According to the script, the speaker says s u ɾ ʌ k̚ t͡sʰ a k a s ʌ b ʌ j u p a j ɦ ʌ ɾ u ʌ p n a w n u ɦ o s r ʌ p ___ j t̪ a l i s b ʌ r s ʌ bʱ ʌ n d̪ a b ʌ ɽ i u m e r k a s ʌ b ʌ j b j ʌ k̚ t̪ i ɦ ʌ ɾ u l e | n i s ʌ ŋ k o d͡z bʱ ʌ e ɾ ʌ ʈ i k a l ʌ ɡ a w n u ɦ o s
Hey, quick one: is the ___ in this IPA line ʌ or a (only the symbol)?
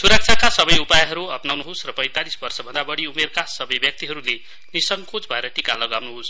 ʌ